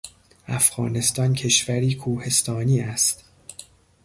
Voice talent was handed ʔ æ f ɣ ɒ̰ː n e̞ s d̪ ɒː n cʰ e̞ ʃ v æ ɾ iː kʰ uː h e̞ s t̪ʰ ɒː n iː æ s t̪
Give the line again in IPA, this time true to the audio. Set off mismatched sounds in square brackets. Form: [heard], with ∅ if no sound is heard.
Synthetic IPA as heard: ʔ æ f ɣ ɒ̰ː n e̞ s [t̪] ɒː n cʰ e̞ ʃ v æ ɾ iː kʰ uː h e̞ s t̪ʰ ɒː n iː æ s t̪